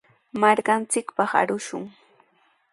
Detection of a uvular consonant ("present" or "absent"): present